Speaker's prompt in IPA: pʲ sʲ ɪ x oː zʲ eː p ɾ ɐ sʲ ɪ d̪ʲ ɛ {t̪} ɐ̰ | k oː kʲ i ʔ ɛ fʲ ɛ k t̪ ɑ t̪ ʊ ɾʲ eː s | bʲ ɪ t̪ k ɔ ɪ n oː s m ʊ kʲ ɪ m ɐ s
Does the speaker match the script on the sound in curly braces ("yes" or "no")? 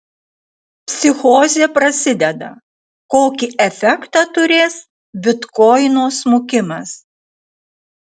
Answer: no